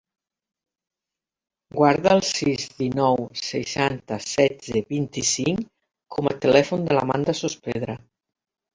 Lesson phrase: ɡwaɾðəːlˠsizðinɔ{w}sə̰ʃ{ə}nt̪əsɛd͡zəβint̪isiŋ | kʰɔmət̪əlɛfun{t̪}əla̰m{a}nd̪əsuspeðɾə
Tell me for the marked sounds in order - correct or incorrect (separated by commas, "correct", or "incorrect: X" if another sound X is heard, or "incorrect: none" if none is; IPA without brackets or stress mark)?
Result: correct, incorrect: a, incorrect: d̪, correct